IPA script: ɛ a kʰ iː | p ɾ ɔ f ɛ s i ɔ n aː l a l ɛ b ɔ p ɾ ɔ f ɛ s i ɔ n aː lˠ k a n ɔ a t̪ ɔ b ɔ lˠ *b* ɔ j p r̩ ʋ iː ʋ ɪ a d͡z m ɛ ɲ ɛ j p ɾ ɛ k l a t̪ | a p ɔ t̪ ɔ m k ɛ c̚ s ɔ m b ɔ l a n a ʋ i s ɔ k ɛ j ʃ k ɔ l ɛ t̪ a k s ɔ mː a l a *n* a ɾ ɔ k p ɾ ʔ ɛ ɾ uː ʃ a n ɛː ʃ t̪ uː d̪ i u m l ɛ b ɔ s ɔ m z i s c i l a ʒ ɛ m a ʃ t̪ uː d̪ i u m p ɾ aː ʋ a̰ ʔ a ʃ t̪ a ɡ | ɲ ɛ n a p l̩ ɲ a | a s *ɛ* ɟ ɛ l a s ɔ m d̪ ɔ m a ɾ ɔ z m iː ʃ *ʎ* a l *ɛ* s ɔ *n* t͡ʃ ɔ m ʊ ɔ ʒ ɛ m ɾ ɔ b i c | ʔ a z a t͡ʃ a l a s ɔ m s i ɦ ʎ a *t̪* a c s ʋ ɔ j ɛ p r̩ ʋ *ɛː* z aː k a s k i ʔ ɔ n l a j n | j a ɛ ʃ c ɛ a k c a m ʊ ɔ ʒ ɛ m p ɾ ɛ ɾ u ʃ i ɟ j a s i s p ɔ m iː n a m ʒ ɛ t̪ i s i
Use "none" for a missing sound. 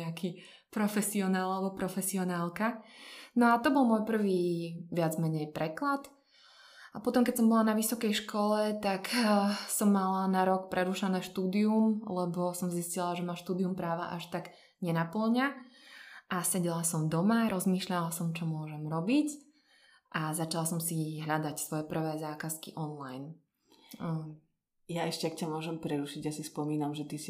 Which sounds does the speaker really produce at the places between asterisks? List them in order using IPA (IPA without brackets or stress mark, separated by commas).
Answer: m, n, ɛ, ʎ, a, m, d̪, ɛː